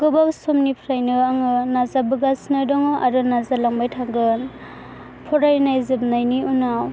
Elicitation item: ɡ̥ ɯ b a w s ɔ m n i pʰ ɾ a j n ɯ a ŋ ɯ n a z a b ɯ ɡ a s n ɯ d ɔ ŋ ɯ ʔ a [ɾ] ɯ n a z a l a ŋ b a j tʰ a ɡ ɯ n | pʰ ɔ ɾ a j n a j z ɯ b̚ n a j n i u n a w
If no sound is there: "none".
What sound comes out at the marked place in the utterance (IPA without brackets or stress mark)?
ɾ